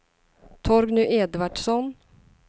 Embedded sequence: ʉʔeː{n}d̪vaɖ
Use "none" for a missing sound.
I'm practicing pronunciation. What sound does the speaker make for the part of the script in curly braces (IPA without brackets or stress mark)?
none